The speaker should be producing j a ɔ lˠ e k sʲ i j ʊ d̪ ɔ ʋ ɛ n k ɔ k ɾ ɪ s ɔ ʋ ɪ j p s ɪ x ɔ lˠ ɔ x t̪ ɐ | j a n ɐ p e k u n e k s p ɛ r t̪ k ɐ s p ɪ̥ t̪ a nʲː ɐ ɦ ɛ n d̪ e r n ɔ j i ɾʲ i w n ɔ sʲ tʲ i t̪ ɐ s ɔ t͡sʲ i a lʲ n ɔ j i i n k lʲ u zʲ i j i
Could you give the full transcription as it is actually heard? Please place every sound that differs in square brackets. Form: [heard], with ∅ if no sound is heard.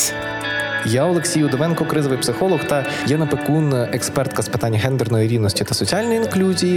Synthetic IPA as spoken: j a ɔ lˠ e k sʲ i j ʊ d̪ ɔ ʋ ɛ n k ɔ k ɾ ɪ [z] ɔ ʋ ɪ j p s ɪ x ɔ lˠ ɔ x t̪ ɐ | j [ɛ] n ɐ p e k u n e k s p ɛ r t̪ k ɐ s p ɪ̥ t̪ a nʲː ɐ ɦ ɛ n d̪ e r n ɔ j i ɾʲ i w n ɔ sʲ tʲ i t̪ ɐ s ɔ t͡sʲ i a lʲ n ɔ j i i n k lʲ u zʲ i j i